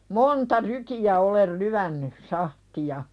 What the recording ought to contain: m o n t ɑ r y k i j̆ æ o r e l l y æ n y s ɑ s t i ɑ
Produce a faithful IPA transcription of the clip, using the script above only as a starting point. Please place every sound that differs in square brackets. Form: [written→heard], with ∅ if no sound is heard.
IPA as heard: m o n t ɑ r y k i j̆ æ o [r→l] e l l y æ [n→nː] y s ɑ [s→h] t i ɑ

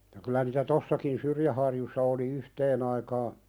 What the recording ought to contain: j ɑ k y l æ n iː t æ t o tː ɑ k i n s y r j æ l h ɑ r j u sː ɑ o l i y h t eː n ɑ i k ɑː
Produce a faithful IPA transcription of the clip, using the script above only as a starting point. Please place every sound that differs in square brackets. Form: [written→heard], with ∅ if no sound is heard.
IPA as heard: j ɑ k y l æ n iː t æ t o [tː→sː] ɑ k i n s y r j æ [l→∅] h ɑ r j u sː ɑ o l i y h t eː n ɑ i k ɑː

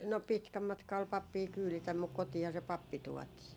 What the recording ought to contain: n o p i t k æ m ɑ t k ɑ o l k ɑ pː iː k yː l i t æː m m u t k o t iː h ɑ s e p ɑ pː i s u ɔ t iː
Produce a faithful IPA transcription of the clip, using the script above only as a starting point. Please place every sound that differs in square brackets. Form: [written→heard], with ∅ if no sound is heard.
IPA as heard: n o p i t k æ m ɑ t k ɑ o l [k→p] ɑ pː iː k yː l i t [æː→æ] m m u [t→k] k o t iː h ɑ s e p ɑ pː i [s→t] u ɔ t iː

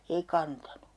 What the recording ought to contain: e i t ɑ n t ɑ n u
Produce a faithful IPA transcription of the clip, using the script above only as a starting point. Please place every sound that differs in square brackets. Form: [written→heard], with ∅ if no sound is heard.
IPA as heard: e i [t→k] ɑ n t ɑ n u

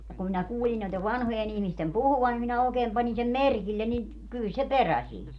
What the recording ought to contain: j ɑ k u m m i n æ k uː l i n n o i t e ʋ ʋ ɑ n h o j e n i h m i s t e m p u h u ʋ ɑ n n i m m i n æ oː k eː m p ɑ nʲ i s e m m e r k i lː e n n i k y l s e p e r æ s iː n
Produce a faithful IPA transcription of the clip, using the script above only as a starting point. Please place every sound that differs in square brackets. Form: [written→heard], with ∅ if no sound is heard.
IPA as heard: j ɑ k u m m i n æ k uː l i n n o i t e ʋ ʋ ɑ n h o j e n i h m i s t e m p u h u ʋ ɑ n n i m m i n æ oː k eː m p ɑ nʲ i s e m m e r k i lː e n n i k y l s e p e r æ s iː n

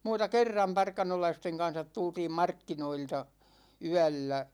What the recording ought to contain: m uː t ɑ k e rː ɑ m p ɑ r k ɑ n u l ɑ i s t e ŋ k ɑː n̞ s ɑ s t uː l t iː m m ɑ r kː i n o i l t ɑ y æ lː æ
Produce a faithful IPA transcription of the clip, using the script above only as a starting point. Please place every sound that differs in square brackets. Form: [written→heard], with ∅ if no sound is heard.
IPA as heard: m uː t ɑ k e rː ɑ m p ɑ r k ɑ n [u→o] l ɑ i s t e ŋ k [ɑː→ɑ] n̞ s ɑ [s→t] t [uː→u] l t iː m m ɑ r kː i n o i l t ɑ y æ lː æ

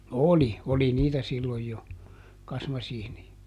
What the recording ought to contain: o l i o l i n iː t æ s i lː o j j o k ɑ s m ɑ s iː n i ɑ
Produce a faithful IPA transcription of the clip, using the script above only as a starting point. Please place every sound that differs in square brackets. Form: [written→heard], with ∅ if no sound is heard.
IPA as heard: o l i o l i n iː t æ s i lː o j j o k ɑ s m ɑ s iː n i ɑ

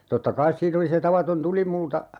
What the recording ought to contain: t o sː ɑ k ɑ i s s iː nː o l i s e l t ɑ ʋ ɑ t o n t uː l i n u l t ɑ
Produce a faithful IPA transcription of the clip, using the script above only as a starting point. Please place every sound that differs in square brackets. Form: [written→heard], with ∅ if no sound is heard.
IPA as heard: t o [sː→tː] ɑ k ɑ i s s iː [nː→n] o l i s e [l→∅] t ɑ ʋ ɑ t o n t [uː→u] l i [n→m] u l t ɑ

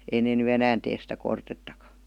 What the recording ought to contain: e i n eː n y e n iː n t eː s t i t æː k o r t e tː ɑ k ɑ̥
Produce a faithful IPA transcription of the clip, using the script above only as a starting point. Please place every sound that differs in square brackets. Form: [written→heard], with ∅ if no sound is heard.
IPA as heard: e i n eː n y e n [iː→æː] n t eː s [t→s] i t [æː→æ] k o r t e tː ɑ k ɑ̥

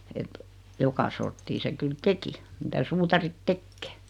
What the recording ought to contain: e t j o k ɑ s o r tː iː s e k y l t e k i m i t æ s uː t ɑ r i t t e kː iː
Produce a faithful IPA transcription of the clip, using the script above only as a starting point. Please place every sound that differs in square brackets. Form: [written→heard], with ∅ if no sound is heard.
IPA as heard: e t j o k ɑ s o r tː iː s e k y l t e k i m i t æ s uː t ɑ r i t t e kː [iː→eː]

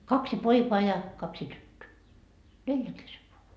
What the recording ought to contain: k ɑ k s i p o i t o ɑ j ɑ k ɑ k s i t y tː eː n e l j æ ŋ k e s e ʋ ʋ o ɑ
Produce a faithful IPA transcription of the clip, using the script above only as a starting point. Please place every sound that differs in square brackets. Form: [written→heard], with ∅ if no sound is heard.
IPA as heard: k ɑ k s i p o i [t→k] o ɑ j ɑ k ɑ k s i t y tː [eː→øː] n e l j æ ŋ k e s e ʋ ʋ o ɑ

